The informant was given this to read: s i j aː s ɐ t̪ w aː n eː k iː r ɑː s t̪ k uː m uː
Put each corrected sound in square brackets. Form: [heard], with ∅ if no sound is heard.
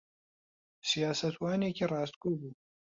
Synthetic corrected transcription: s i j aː s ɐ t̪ w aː n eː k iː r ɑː s t̪ k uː [b] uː